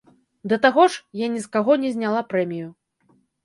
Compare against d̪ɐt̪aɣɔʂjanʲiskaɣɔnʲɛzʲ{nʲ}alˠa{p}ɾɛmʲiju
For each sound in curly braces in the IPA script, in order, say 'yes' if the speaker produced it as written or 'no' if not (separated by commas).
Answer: yes, yes